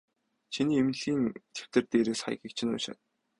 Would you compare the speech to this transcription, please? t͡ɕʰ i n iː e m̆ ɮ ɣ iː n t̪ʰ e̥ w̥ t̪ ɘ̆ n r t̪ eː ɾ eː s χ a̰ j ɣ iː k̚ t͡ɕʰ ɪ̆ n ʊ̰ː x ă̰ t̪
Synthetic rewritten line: t͡ɕʰ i n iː e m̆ ɮ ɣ iː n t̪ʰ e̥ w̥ t̪ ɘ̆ r t̪ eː ɾ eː s χ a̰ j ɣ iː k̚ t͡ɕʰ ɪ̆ n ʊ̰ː ʃ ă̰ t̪